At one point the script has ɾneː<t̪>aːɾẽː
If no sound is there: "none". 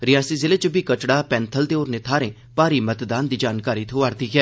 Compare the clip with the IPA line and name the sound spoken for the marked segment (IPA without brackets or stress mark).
t̪ʰ